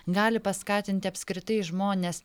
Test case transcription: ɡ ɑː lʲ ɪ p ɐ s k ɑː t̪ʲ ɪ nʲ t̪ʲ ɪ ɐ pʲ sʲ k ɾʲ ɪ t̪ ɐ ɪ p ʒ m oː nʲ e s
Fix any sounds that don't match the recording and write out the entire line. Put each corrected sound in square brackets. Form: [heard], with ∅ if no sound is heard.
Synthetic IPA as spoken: ɡ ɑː lʲ ɪ p ɐ s k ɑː t̪ʲ ɪ nʲ t̪ʲ ɪ ɐ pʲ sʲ k ɾʲ ɪ t̪ ɐ ɪ [∅] ʒ m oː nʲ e s